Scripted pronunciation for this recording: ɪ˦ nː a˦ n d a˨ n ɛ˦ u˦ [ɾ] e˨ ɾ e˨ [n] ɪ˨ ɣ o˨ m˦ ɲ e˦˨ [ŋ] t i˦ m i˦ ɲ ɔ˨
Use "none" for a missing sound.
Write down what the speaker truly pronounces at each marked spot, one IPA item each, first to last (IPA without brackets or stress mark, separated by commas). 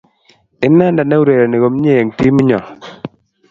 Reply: ɾ, n, ŋ